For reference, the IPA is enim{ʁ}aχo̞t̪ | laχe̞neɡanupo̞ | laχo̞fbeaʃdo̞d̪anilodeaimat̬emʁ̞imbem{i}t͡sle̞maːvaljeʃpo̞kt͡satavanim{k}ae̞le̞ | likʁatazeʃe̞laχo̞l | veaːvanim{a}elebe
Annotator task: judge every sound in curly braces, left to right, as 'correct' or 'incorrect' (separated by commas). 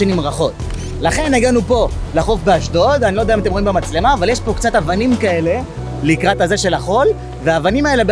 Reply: correct, incorrect, correct, correct